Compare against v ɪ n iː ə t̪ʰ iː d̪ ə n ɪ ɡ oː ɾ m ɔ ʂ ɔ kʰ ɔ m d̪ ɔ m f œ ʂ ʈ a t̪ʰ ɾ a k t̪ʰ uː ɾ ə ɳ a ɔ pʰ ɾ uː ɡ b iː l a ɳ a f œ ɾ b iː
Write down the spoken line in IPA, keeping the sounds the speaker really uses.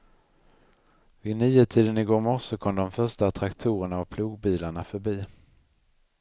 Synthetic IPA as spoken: v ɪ n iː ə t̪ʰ iː d̪ ə n ɪ ɡ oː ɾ m ɔ ʂ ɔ kʰ ɔ m d̪ ɔ m f œ ʂ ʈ a t̪ʰ ɾ a k t̪ʰ uː ɾ ə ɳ a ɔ pʰ l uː ɡ b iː l a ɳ a f œ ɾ b iː